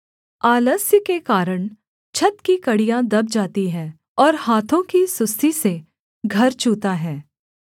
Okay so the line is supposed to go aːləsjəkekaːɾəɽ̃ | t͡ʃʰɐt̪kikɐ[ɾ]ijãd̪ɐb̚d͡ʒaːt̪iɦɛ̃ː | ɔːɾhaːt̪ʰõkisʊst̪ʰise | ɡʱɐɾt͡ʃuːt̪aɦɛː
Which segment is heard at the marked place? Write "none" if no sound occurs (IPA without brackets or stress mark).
ɽ